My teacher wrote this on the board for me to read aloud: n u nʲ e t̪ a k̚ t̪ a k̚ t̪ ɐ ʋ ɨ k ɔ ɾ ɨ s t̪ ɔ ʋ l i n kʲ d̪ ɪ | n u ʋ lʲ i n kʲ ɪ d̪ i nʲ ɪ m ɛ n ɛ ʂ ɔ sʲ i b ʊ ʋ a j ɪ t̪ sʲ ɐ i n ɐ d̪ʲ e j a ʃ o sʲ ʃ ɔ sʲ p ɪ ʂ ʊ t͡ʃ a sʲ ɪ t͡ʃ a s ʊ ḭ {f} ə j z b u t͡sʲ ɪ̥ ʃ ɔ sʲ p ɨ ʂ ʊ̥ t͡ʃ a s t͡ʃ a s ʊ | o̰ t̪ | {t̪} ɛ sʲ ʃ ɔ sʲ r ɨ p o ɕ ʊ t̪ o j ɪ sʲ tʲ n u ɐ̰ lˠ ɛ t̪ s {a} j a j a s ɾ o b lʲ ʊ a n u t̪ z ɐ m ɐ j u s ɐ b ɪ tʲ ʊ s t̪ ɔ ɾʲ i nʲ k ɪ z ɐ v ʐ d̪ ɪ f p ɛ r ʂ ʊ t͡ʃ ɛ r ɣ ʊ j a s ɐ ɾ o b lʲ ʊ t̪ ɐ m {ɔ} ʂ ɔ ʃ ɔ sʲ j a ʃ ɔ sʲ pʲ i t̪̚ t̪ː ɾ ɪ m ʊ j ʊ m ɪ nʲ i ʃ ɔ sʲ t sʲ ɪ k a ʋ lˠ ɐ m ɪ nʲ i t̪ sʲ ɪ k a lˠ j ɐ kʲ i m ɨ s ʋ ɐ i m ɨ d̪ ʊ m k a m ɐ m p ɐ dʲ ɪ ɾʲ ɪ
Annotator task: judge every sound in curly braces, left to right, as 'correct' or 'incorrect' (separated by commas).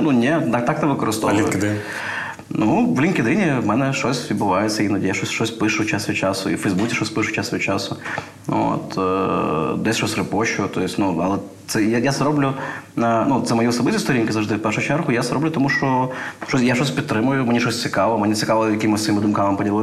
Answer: correct, incorrect, incorrect, incorrect